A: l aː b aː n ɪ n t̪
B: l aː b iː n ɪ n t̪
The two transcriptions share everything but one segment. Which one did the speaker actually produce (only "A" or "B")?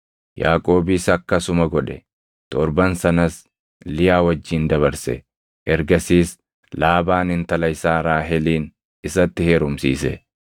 A